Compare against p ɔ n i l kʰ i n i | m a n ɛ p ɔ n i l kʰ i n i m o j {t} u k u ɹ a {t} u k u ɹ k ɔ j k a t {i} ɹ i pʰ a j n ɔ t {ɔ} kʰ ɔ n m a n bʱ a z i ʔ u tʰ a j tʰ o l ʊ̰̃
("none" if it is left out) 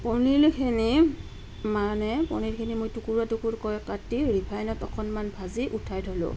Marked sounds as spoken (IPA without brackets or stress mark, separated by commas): t, t, i, ɔ